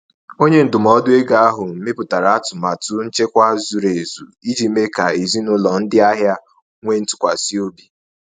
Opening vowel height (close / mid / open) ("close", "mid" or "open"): mid